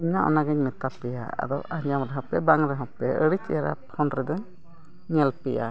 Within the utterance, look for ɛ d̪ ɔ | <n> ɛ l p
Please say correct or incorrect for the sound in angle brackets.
incorrect